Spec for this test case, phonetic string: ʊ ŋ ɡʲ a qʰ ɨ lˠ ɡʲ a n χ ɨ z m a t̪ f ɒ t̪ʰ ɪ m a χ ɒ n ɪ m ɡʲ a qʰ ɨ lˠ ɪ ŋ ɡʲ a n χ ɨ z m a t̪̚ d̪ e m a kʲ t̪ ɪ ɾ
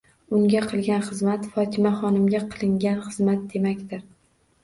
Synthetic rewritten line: ʊ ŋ ɡʲ a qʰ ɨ lˠ ɡʲ a n χ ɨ z m a t̪ f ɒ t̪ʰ ɪ m a χ ɒ n ɪ m ɡʲ a qʰ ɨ lˠ ɪ ŋ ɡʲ a n χ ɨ z m a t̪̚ d̪ e m a kʲ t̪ ɪ ɾ